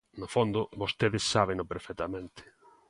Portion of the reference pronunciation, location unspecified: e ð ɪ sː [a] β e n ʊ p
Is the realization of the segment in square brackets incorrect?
no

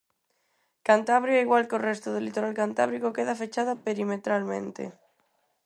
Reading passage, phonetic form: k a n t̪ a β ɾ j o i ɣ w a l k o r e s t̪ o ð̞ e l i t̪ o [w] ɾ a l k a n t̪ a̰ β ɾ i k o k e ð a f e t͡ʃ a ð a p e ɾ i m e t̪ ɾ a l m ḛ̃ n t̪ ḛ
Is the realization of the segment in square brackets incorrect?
yes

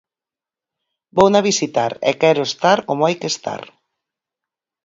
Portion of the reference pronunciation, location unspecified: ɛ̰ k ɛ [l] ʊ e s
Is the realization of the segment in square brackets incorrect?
yes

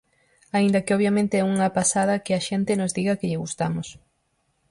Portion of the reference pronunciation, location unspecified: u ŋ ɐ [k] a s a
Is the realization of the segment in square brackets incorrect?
yes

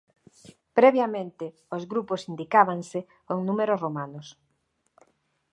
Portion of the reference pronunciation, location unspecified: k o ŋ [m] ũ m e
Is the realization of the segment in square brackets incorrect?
yes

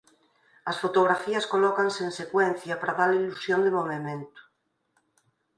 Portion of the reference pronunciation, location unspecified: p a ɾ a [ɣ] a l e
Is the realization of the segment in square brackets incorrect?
yes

